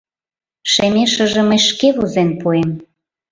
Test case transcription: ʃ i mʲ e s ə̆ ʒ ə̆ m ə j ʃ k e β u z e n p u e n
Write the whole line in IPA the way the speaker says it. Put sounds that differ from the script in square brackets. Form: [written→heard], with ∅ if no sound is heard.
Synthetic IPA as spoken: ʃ [i→e] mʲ e [s→ʃ] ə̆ ʒ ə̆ m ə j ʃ k e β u z e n p u e [n→m]